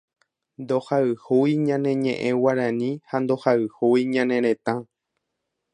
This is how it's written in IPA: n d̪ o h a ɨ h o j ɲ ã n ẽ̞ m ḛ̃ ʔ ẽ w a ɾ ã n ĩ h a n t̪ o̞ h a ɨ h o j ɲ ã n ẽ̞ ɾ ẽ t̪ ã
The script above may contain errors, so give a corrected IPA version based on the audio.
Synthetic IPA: n d̪ o h a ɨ h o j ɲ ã n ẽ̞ ɲ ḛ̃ ʔ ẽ w a ɾ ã n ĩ h a n d̪ o̞ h a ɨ h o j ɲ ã n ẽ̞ ɾ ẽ t̪ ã